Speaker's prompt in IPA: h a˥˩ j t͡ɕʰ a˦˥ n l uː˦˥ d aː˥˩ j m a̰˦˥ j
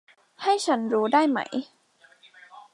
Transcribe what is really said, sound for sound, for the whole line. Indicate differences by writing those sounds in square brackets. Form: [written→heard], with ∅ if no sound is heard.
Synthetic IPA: h a˥˩ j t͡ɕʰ a˦˥ n [l→ɾ] uː˦˥ d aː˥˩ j m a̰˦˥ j